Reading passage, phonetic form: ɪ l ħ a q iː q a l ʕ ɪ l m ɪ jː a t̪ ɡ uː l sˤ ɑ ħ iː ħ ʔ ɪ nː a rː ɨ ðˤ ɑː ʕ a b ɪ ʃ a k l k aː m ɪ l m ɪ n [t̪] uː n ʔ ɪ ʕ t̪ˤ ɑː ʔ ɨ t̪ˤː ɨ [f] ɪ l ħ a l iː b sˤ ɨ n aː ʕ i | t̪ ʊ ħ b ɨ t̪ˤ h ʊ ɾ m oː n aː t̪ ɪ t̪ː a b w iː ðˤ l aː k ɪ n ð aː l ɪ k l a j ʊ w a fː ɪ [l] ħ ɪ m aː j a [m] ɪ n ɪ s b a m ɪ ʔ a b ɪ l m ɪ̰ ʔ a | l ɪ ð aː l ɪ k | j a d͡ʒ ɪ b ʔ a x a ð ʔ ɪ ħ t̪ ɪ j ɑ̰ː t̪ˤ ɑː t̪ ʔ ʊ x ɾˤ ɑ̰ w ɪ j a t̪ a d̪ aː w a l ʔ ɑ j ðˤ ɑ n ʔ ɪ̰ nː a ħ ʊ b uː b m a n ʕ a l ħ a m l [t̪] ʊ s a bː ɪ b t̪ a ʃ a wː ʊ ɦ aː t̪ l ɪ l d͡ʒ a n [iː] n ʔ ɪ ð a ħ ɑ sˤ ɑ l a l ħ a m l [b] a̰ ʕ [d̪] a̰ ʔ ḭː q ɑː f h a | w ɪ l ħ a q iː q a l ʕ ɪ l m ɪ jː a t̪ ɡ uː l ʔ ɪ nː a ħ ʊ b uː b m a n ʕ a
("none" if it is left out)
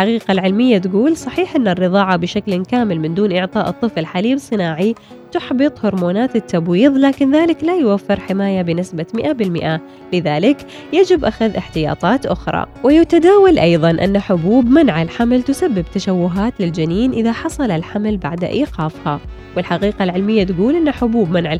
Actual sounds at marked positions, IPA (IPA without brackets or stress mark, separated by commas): d̪, f, ɾ, b, t̪, iː, b, d̪